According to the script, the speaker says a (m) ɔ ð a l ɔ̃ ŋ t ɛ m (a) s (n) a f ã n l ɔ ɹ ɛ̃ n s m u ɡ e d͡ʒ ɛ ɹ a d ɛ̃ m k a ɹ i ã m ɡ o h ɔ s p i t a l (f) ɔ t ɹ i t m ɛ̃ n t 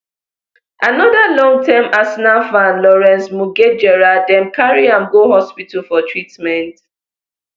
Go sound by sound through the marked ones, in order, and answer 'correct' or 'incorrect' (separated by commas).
incorrect, correct, correct, correct